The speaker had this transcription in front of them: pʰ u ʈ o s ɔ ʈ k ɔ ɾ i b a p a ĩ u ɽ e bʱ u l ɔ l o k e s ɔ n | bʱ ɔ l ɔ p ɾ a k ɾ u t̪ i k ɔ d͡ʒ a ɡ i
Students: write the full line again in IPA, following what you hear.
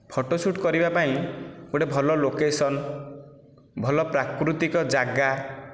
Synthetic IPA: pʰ ɔ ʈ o s u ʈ k ɔ ɾ i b a p a ĩ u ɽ e bʱ ɔ l ɔ l o k e s ɔ n | bʱ ɔ l ɔ p ɾ a k ɾ u t̪ i k ɔ d͡ʒ a ɡ a